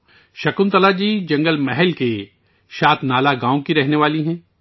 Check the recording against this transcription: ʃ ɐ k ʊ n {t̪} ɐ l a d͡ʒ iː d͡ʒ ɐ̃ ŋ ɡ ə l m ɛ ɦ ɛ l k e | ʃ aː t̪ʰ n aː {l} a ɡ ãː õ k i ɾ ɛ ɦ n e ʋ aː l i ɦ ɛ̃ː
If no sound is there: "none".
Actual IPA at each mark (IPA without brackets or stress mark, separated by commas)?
t̪, l